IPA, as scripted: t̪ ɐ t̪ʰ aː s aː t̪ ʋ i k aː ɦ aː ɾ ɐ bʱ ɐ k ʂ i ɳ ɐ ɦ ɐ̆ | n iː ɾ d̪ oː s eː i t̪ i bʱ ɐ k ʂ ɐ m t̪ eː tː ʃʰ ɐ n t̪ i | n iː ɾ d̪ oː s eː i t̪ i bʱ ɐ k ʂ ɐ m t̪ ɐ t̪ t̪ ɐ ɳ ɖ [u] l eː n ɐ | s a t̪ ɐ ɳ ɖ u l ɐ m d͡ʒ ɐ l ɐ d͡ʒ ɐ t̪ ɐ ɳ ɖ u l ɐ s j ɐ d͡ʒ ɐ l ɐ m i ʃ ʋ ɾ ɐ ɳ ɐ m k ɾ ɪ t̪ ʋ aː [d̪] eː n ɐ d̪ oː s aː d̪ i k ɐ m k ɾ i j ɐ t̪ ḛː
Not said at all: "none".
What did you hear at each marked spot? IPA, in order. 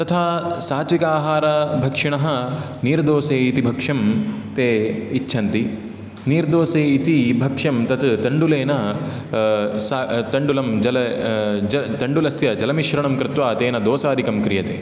u, t̪

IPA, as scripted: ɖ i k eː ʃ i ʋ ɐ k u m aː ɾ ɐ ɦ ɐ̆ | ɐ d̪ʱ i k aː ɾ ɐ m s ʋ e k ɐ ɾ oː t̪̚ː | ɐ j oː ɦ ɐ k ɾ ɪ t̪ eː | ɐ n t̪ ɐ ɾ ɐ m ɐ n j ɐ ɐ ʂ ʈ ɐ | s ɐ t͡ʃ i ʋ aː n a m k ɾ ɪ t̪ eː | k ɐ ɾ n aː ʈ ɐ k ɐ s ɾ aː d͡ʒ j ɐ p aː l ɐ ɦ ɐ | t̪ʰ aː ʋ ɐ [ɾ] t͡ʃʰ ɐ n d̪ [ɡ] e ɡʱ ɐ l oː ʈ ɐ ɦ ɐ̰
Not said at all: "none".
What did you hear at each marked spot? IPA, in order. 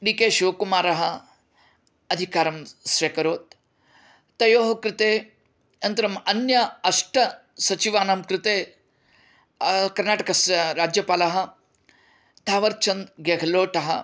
ɾ, ɡ

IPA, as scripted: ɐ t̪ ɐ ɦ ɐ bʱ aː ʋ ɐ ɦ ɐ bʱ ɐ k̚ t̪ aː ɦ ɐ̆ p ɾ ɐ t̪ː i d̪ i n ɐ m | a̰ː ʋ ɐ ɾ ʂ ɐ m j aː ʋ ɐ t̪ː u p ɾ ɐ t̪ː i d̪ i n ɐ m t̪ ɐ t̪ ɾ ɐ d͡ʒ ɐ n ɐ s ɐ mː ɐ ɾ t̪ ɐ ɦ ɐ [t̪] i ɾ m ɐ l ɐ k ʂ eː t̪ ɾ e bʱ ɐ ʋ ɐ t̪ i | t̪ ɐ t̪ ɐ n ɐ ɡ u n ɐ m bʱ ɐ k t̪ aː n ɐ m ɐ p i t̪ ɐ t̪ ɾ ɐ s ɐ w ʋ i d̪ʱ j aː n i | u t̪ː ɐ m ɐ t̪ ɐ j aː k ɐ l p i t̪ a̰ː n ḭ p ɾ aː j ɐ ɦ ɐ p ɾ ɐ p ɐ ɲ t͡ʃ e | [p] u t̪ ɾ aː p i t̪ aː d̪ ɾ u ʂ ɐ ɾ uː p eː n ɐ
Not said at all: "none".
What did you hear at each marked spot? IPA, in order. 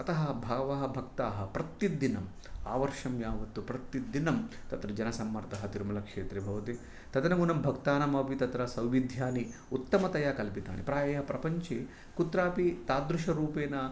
t̪, k

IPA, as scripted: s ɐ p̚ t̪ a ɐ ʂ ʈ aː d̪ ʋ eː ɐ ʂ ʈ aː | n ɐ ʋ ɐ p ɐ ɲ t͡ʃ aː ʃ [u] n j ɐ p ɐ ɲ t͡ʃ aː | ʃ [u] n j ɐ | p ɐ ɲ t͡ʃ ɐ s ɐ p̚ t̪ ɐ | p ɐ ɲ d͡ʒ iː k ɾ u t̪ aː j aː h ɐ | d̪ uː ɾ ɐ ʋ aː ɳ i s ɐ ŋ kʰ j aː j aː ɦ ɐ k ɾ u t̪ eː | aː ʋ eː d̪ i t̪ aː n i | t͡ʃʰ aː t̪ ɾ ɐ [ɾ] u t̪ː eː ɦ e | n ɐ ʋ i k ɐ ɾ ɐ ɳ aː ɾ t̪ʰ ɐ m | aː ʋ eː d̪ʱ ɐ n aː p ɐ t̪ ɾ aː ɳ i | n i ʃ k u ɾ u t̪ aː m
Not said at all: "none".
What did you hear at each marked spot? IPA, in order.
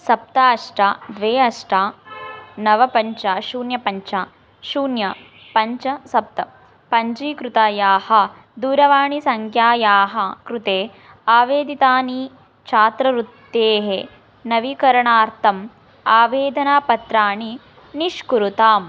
uː, uː, ɾ

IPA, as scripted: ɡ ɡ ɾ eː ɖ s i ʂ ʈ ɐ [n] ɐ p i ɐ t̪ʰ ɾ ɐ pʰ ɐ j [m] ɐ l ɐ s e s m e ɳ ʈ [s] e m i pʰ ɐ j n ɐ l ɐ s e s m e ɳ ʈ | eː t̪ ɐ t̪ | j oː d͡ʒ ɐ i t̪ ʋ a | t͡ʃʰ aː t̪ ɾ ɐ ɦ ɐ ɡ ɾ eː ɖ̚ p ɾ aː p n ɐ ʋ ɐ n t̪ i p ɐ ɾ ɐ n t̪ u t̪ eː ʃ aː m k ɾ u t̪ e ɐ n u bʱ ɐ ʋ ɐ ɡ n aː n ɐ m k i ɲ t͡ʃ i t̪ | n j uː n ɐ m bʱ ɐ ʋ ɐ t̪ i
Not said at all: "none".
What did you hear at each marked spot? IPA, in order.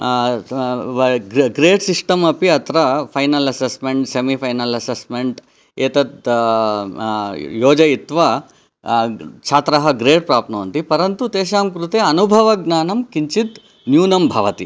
m, n, s

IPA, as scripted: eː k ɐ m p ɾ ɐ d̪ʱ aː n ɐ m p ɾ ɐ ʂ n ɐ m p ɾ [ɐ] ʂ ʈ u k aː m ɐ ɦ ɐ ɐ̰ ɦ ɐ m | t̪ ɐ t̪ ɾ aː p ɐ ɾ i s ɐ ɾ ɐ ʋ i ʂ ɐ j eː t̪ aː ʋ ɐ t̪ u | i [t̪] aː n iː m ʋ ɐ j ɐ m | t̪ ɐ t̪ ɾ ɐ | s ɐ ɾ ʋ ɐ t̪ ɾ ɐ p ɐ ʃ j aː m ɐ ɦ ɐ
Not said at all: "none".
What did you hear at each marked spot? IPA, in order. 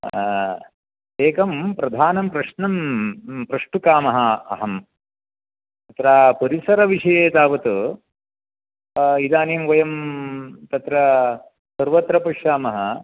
ɐ, d̪

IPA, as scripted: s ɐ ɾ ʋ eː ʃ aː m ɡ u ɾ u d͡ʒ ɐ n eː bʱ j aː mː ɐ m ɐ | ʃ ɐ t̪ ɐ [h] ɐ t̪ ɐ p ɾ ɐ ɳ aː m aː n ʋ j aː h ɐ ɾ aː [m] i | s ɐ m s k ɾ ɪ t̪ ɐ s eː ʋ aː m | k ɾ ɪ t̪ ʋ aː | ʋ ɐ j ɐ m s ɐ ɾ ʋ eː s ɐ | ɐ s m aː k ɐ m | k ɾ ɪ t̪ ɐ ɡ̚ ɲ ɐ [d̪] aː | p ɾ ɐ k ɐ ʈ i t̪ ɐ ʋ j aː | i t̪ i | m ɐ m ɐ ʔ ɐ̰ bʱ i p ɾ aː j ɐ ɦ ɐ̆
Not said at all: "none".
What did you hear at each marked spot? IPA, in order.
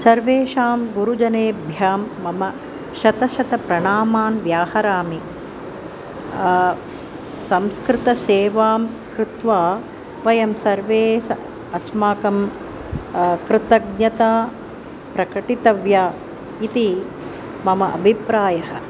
ʃ, m, t̪

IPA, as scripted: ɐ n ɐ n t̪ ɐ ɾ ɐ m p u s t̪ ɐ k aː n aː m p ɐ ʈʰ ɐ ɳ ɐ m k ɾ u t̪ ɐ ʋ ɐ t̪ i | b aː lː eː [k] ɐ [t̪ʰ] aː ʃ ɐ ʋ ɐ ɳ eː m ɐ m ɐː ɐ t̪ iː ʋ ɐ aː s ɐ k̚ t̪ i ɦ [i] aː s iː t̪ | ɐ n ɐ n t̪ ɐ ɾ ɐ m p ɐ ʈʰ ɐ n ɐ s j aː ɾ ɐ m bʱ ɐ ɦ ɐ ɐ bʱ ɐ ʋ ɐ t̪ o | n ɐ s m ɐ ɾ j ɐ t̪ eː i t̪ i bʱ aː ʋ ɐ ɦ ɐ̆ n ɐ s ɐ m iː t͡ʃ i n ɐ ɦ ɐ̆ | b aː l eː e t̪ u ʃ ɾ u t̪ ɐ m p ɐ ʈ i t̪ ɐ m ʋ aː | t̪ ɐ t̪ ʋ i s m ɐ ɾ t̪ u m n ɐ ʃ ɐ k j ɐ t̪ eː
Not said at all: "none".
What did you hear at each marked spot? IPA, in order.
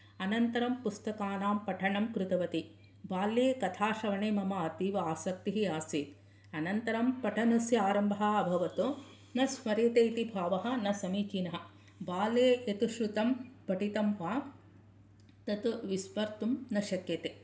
k, t̪ʰ, i

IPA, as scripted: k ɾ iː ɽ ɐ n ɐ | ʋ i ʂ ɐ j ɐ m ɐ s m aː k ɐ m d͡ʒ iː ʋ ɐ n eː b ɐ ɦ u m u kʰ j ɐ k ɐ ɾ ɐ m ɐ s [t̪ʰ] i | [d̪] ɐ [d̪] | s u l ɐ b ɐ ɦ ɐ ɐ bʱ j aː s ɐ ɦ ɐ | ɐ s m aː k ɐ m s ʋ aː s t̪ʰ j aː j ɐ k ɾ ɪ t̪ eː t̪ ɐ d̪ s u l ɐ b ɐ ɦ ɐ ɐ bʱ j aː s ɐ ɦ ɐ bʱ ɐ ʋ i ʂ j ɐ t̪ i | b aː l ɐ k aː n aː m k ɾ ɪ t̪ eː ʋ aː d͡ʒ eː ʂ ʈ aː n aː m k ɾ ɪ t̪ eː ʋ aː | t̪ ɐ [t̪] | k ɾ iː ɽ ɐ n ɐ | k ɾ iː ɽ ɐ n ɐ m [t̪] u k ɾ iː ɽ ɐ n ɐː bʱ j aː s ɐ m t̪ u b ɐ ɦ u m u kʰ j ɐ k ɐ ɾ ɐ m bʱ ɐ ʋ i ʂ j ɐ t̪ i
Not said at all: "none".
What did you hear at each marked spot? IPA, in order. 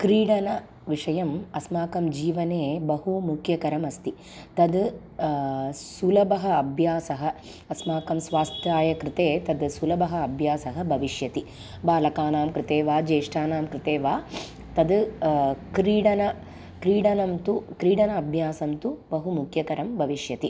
t̪, t̪, d̪, d̪, t̪

